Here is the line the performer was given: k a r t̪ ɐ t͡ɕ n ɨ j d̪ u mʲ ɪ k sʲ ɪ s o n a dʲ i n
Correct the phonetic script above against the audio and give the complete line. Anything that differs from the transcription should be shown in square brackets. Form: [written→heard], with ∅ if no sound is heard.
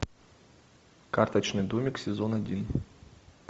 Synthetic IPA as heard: k a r t̪ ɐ t͡ɕ n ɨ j d̪ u mʲ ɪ k sʲ ɪ [s→z] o n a dʲ i n